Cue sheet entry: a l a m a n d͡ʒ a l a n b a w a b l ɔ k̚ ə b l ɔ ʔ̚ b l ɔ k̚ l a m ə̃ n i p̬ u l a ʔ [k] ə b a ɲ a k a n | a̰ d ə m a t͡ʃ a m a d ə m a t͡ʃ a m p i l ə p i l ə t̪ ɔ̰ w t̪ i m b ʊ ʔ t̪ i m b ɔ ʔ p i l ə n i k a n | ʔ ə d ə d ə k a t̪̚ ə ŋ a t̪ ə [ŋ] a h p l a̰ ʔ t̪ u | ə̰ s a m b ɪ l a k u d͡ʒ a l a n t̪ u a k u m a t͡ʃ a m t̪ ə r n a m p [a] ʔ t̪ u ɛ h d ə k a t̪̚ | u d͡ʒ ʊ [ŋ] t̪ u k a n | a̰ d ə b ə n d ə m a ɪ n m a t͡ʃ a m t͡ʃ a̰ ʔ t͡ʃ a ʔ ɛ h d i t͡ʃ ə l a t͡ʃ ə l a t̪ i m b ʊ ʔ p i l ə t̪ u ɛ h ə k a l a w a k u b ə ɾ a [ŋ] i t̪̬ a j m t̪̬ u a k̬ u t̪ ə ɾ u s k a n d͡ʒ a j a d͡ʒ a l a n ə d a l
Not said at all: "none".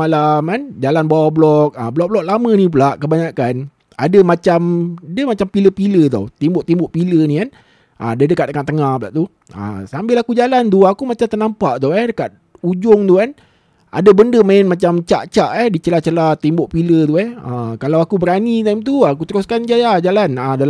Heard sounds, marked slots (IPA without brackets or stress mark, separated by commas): k, ŋ, a, ŋ, n